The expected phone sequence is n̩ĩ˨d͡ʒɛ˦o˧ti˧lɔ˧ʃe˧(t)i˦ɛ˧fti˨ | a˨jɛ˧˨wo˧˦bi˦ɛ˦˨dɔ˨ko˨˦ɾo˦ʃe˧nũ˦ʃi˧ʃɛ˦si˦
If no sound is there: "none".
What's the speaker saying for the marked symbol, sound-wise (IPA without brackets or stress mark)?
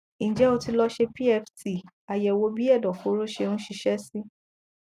p